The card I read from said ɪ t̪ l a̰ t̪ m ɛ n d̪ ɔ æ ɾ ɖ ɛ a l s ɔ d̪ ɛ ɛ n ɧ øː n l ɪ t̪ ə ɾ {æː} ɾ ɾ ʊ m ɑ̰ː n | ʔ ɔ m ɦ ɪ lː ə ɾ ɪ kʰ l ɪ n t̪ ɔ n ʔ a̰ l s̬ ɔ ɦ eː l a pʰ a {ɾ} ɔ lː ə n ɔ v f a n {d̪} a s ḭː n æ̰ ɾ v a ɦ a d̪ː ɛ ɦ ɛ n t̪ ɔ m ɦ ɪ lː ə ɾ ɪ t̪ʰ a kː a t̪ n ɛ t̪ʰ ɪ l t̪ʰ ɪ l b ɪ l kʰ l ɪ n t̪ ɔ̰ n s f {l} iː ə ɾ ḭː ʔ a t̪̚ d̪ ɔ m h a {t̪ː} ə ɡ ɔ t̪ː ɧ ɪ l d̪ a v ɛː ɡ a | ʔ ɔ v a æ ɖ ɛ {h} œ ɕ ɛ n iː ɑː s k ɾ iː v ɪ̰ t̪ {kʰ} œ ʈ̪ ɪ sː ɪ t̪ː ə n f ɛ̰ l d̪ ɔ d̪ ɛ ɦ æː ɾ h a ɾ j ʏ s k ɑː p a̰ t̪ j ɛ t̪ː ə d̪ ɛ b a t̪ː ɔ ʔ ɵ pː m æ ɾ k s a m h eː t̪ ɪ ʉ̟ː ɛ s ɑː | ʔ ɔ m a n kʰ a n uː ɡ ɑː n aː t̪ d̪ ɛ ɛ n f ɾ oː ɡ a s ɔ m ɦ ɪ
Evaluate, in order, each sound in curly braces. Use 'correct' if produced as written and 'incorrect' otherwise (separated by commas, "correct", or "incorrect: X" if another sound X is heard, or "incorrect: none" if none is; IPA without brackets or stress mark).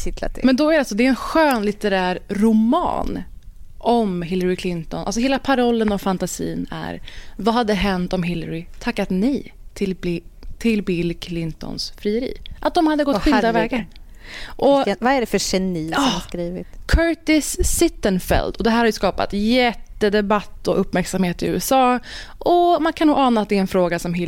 correct, correct, incorrect: t̪, incorrect: ɾ, incorrect: d̪ː, incorrect: f, correct